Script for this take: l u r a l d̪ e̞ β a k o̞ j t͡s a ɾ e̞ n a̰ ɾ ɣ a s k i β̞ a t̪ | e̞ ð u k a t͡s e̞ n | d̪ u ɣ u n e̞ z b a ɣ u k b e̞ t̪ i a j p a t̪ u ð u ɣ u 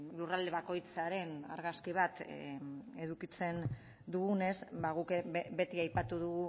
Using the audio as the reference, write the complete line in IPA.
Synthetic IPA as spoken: l u r a l d̪ e̞ β a k o̞ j t͡s a ɾ e̞ n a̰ ɾ ɣ a s k i β̞ a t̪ | e̞ ð u k i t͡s e̞ n | d̪ u ɣ u n e̞ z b a ɣ u k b e̞ t̪ i a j p a t̪ u ð u ɣ u